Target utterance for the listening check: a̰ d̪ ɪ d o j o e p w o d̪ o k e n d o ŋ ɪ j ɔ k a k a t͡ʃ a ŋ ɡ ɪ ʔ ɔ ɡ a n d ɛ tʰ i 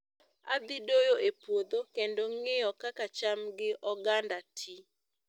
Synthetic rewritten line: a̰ d̪ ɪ d o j o e p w o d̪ o k e n d o ŋ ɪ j ɔ k a k a t͡ʃ a m ɡ ɪ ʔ ɔ ɡ a n d a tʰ i